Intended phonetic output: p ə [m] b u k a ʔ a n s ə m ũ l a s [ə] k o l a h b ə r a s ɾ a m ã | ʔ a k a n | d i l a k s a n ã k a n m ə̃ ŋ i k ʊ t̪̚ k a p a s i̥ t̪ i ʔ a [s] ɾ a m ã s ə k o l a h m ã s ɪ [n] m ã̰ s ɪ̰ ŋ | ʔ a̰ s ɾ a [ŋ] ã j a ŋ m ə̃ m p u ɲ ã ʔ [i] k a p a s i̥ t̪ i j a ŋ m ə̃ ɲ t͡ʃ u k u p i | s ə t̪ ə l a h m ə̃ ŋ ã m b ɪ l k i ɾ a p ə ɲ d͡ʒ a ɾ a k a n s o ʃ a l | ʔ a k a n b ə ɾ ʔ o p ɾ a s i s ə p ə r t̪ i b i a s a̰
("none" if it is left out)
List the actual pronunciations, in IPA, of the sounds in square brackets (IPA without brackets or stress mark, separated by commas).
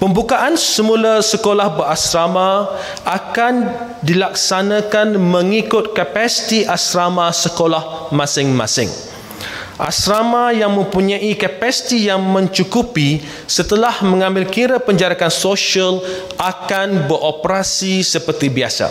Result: m, ə, s, ŋ, m, i